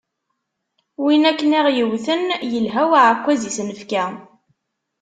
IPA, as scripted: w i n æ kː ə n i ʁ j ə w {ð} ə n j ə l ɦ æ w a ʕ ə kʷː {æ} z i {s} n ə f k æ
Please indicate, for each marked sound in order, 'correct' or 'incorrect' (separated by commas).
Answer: incorrect, correct, correct